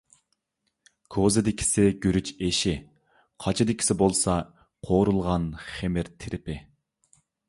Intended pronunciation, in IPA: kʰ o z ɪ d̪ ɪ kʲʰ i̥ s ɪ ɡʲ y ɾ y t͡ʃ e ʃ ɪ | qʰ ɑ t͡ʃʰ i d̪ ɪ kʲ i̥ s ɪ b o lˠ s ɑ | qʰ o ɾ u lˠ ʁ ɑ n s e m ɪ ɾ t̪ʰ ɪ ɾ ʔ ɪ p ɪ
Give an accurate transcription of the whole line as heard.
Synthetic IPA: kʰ o z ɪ d̪ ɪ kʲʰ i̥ s ɪ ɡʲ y ɾ y t͡ʃ e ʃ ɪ | qʰ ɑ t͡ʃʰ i d̪ ɪ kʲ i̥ s ɪ b o lˠ s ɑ | qʰ o ɾ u lˠ ʁ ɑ n χ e m ɪ ɾ t̪ʰ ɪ ɾ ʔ ɪ p ɪ